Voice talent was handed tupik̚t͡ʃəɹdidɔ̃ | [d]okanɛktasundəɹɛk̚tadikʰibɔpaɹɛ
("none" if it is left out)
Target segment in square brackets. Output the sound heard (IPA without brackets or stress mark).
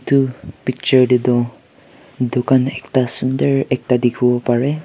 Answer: d